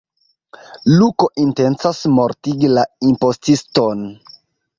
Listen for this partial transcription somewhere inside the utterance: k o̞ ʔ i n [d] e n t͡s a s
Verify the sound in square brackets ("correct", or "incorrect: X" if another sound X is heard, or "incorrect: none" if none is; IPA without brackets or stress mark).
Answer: incorrect: t